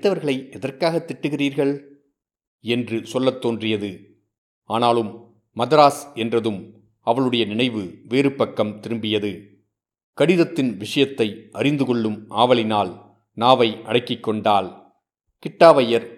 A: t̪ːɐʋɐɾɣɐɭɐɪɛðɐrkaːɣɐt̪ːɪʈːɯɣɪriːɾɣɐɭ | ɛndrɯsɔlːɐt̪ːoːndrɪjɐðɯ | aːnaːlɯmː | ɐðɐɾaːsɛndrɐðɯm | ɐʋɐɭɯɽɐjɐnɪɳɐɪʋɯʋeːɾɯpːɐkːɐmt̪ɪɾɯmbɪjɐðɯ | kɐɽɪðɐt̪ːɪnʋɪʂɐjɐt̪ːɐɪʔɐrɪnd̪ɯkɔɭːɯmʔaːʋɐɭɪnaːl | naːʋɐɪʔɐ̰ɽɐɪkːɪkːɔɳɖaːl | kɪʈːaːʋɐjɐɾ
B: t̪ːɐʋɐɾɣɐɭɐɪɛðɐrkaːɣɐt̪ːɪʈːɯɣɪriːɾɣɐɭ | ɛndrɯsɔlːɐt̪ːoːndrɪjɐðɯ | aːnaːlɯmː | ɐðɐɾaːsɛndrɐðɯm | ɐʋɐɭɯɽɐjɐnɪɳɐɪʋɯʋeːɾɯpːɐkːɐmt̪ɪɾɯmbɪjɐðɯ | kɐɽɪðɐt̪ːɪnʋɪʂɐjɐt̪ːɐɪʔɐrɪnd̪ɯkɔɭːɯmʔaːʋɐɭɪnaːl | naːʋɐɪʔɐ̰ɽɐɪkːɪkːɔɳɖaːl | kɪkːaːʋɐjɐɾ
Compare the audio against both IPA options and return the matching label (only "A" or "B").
A